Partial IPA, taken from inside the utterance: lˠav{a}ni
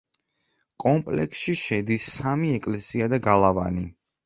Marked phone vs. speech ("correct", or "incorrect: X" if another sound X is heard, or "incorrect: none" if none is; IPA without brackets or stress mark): correct